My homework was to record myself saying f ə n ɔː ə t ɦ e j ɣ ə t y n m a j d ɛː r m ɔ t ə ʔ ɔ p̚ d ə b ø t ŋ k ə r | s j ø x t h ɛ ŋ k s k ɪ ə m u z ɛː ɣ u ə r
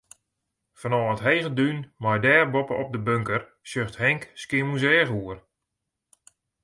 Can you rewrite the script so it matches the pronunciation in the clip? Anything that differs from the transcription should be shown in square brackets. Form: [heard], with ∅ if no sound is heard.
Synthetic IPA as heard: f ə n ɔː ə t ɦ e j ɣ ə [d] y n m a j d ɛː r [b] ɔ [p] ə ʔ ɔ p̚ d ə b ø [∅] ŋ k ə r | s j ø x t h ɛ ŋ k s k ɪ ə m u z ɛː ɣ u ə r